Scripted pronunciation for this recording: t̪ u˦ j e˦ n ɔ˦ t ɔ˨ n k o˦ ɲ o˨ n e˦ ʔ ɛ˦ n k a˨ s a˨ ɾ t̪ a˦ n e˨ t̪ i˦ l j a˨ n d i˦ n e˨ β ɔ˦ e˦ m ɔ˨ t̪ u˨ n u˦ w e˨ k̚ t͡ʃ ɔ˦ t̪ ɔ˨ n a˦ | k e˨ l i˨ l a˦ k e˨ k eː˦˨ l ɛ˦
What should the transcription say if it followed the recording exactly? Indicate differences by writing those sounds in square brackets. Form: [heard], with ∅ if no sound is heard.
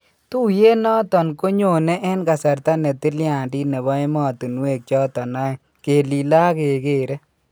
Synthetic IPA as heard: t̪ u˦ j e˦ n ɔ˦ t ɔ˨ n k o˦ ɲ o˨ n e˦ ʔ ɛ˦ n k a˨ s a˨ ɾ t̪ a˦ n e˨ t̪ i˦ l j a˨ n d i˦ n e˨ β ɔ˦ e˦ m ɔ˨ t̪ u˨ n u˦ w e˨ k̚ t͡ʃ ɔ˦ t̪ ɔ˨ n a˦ | k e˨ l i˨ l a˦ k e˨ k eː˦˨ [ɾ] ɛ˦